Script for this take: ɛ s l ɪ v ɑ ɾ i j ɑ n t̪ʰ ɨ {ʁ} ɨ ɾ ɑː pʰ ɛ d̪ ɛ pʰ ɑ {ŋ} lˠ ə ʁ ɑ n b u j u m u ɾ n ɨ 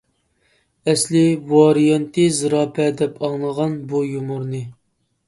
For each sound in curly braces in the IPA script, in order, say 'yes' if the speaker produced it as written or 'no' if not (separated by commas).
no, yes